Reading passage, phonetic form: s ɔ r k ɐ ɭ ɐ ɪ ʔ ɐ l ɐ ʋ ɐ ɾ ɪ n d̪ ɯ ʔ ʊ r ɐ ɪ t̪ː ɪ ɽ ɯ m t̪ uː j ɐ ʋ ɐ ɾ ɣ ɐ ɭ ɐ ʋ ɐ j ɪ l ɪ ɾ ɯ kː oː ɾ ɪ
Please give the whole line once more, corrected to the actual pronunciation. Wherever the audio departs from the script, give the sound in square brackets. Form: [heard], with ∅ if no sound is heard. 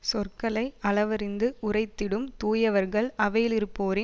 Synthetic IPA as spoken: s ɔ r k ɐ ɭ ɐ ɪ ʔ ɐ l ɐ ʋ ɐ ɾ ɪ n d̪ ɯ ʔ ʊ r ɐ ɪ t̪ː ɪ ɽ ɯ m t̪ uː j ɐ ʋ ɐ ɾ ɣ ɐ ɭ ɐ ʋ ɐ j ɪ l ɪ ɾ ɯ [pː] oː ɾ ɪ